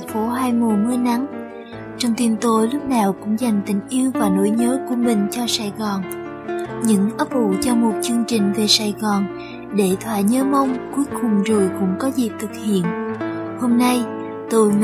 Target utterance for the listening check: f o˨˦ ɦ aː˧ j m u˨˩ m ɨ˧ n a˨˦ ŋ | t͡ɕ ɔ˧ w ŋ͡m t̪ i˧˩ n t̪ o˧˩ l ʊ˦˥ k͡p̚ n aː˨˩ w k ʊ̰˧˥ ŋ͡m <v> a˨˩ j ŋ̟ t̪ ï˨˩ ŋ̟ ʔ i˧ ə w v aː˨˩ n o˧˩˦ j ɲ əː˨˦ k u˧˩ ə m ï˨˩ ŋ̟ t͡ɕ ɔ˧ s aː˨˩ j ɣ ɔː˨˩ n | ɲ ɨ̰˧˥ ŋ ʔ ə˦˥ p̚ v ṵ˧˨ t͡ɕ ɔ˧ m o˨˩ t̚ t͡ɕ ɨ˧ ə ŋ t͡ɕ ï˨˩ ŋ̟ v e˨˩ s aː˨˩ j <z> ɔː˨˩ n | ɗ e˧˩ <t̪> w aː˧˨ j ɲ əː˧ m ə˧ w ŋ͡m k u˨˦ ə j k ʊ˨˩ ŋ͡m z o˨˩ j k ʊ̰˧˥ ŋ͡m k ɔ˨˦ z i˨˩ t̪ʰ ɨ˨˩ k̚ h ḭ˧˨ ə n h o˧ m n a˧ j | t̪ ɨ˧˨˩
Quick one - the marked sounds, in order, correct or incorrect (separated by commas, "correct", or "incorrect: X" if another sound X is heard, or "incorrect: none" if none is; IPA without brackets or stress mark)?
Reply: incorrect: z, incorrect: ɣ, incorrect: t̪ʰ